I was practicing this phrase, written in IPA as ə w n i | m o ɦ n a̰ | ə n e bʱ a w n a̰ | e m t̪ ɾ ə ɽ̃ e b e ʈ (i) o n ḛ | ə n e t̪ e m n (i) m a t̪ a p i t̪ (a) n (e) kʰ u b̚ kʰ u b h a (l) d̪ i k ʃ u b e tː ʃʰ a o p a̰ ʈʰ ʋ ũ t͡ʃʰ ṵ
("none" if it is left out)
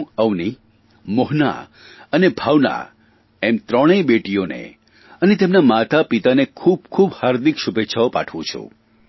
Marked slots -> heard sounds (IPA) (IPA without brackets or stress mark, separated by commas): i, a, a, e, ɾ